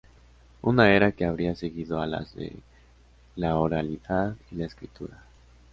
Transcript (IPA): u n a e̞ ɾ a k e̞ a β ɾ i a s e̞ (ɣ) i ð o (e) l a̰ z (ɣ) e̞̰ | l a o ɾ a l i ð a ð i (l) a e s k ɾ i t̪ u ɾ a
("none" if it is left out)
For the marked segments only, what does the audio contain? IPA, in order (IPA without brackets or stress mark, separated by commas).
ɣ, a, ð, l